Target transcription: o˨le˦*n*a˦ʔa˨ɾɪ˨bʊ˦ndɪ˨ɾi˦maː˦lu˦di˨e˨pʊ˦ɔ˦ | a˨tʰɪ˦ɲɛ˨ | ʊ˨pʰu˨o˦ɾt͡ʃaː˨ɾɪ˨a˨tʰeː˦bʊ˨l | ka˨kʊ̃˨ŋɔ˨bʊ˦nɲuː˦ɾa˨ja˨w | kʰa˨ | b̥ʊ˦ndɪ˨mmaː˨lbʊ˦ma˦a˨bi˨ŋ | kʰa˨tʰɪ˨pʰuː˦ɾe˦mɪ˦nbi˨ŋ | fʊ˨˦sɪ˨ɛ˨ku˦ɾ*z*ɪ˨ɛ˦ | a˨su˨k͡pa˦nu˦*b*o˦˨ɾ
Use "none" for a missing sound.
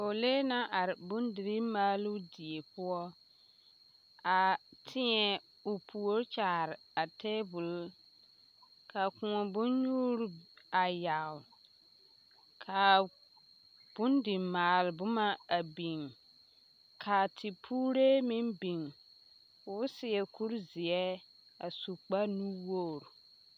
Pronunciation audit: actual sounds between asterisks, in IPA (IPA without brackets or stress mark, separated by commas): n, z, w